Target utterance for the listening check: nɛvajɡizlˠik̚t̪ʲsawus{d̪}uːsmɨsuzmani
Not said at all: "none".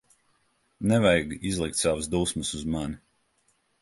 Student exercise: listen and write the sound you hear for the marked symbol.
d̪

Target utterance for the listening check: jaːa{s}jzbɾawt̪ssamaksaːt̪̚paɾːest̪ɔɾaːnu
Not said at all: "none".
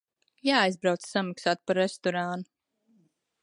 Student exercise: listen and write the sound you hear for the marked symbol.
none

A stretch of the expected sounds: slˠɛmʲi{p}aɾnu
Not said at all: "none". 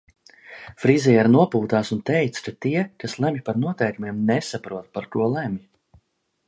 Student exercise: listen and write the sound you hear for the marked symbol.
p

